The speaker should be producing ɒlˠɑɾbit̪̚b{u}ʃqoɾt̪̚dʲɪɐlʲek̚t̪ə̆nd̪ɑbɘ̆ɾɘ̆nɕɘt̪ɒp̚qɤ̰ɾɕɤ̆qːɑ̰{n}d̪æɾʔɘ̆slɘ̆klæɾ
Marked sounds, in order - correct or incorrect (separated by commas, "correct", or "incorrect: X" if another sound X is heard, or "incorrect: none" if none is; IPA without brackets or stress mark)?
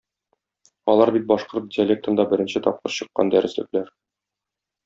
incorrect: ɒ, correct